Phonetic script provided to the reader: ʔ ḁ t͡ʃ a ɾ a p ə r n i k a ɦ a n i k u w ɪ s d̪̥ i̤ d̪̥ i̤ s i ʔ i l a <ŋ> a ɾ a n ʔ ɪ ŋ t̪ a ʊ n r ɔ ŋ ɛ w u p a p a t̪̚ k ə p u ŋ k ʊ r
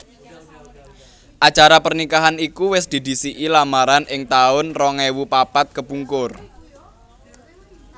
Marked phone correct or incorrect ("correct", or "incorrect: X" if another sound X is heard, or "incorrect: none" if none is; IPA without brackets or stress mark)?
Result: incorrect: m